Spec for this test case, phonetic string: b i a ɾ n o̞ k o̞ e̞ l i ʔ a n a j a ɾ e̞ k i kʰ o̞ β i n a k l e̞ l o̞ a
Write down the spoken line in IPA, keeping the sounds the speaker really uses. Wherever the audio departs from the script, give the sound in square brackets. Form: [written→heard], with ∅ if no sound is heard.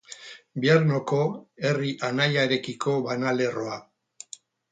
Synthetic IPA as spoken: b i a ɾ n o̞ k o̞ e̞ [l→r] i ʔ a n a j a ɾ e̞ k i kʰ o̞ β [i→a] n a [k→∅] l e̞ [l→r] o̞ a